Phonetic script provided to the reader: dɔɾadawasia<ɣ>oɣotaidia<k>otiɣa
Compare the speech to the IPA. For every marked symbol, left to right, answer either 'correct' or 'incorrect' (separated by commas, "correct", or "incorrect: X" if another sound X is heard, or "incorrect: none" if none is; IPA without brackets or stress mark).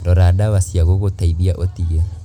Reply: correct, incorrect: ʔ